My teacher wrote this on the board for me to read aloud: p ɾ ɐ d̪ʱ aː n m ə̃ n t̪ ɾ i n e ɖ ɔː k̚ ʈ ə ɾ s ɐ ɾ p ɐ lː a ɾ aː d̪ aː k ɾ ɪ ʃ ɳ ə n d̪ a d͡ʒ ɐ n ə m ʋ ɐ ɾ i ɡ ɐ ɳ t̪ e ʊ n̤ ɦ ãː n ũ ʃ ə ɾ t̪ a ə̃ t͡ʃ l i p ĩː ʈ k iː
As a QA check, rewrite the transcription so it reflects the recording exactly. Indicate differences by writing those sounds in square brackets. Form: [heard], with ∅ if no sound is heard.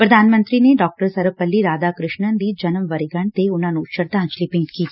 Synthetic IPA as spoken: p ɾ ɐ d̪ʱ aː n m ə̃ n t̪ ɾ i n e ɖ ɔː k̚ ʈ ə ɾ s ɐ ɾ p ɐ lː [i] ɾ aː d̪ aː k ɾ ɪ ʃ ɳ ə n d̪ [i] d͡ʒ ɐ n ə m ʋ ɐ ɾ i ɡ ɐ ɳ t̪ e ʊ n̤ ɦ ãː n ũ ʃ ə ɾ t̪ a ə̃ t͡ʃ l i p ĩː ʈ k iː

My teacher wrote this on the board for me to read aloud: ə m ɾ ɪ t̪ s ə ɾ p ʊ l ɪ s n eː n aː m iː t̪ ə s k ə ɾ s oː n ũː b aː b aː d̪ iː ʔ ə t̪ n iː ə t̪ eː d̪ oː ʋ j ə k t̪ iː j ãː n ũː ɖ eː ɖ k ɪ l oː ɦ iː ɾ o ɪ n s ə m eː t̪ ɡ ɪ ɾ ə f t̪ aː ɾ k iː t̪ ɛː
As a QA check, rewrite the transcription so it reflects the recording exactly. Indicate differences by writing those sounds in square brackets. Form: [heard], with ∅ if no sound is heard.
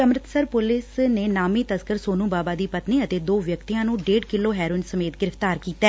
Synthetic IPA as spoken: ə m ɾ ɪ t̪ s ə ɾ p ʊ l ɪ s n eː n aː m iː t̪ ə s k ə ɾ s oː n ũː b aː b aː d̪ iː [p] ə t̪ n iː ə t̪ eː d̪ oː ʋ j ə k t̪ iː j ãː n ũː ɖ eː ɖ k ɪ l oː ɦ [ɛː] ɾ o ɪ n s ə m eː t̪ ɡ ɪ ɾ ə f t̪ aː ɾ k iː t̪ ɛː

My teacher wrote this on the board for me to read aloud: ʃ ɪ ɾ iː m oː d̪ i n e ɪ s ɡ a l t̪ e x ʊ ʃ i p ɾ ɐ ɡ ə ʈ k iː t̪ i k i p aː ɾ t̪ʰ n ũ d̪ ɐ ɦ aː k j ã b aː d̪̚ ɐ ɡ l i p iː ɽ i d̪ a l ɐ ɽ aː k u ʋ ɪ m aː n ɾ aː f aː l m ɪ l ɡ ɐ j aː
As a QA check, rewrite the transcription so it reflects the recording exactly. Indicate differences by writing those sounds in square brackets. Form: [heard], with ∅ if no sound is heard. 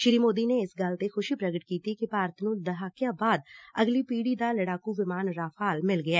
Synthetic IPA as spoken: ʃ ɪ ɾ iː m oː d̪ i n e ɪ s ɡ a l t̪ e x ʊ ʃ i p ɾ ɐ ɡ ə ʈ k iː t̪ i k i p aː ɾ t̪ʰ n ũ d̪ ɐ ɦ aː k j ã b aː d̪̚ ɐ ɡ l i p iː ɽ i d̪ a l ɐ ɽ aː k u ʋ ɪ m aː n ɾ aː f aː l m ɪ l ɡ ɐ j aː

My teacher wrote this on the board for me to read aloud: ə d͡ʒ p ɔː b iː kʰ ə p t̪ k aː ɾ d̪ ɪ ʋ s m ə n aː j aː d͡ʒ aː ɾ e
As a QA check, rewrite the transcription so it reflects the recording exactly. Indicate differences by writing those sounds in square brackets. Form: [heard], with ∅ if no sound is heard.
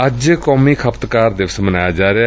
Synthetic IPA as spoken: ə d͡ʒ [k] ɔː [m] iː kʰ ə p t̪ k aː ɾ d̪ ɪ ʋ s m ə n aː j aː d͡ʒ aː ɾ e

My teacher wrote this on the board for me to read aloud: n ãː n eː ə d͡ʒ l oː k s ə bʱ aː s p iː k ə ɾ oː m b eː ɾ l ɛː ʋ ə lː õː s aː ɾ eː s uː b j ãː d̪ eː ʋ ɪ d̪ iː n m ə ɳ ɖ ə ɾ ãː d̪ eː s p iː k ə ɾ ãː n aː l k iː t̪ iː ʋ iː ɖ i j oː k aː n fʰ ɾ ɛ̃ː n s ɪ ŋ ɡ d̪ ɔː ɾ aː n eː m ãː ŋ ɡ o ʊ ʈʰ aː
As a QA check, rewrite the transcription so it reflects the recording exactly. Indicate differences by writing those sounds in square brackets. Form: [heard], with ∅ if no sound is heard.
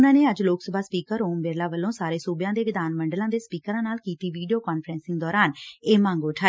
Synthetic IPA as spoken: n ãː n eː ə d͡ʒ l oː k s ə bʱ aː s p iː k ə ɾ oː m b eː ɾ l [aː] ʋ ə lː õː s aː ɾ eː s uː b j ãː d̪ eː ʋ ɪ d̪ [aː] n m ə ɳ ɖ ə [l] ãː d̪ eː s p iː k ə ɾ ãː n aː l k iː t̪ iː ʋ iː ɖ i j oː k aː n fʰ ɾ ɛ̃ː n s ɪ ŋ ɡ d̪ ɔː ɾ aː n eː m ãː ŋ ɡ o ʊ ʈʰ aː

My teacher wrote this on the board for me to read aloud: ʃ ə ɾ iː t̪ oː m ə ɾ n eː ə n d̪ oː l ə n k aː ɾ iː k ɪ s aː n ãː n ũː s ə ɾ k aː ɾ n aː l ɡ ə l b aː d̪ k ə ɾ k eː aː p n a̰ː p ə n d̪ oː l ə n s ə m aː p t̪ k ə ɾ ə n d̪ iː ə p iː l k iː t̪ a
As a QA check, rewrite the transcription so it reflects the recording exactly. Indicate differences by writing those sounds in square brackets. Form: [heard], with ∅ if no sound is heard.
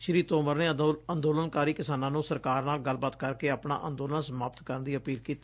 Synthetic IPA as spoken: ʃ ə ɾ iː t̪ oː m ə ɾ n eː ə n d̪ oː l ə n k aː ɾ iː k ɪ s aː n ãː n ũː s ə ɾ k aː ɾ n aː l ɡ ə l b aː [t̪] k ə ɾ k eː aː p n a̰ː [ʔ] ə n d̪ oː l ə n s ə m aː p t̪ k ə ɾ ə n d̪ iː ə p iː l k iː t̪ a

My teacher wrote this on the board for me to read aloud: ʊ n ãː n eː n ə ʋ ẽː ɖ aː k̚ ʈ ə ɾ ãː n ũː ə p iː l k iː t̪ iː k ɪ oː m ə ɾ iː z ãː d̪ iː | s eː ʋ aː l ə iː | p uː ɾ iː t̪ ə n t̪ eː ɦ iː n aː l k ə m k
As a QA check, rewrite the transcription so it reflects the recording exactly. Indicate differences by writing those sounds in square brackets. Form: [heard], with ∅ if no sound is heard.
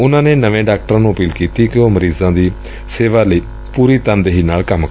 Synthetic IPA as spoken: ʊ n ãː n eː n ə ʋ ẽː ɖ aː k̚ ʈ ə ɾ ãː n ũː ə p iː l k iː t̪ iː k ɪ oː m ə ɾ iː z ãː d̪ iː | s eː ʋ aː l ə iː | p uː ɾ iː t̪ ə n [d̪] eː ɦ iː n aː l k ə m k

